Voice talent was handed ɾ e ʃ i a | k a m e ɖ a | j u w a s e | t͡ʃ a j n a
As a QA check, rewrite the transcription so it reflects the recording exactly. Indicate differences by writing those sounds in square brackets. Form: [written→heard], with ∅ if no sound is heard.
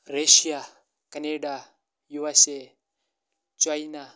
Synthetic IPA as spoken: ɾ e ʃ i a | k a [m→n] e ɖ a | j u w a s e | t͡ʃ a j n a